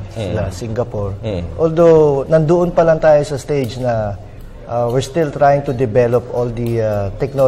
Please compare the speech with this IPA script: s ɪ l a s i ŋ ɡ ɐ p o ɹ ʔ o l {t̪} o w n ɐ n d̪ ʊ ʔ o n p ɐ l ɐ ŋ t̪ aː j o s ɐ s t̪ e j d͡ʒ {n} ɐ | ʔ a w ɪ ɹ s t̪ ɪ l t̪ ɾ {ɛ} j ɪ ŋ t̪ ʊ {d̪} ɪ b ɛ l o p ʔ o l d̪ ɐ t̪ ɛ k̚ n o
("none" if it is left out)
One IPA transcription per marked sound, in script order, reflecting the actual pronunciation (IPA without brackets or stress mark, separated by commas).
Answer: d̪, n, a, d̪